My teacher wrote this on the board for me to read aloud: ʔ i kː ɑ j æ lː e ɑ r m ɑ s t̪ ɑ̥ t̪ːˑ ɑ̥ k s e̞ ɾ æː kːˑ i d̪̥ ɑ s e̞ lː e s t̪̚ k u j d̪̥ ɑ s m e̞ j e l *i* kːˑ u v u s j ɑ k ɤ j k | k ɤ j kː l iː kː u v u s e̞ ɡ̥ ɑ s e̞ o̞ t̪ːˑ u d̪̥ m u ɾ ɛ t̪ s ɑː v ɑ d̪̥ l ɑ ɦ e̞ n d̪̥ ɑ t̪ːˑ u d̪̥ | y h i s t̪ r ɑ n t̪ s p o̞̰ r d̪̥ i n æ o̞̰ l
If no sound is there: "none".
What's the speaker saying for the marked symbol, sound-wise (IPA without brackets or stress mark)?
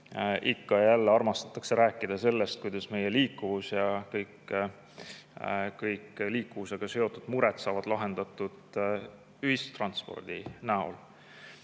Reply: iː